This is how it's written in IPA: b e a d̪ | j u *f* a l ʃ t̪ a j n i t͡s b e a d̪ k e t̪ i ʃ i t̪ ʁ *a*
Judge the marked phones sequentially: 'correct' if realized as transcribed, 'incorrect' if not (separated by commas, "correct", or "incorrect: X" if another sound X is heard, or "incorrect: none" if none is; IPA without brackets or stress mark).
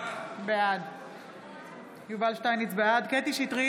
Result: incorrect: v, incorrect: i